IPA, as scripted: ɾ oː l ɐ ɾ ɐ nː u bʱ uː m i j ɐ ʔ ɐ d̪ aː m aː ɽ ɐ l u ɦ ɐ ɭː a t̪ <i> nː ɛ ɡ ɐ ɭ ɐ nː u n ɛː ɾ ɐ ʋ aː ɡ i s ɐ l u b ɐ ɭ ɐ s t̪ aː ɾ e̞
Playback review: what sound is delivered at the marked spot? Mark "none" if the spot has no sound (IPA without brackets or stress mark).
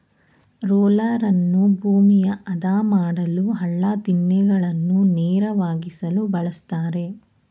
i